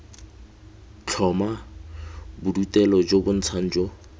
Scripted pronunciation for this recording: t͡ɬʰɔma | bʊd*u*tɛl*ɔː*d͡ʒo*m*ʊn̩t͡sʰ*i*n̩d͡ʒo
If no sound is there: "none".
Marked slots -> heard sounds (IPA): u, ɔ, b, a

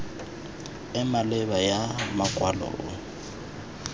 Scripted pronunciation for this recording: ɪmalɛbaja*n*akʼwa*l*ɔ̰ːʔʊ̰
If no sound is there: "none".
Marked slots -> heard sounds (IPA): m, l

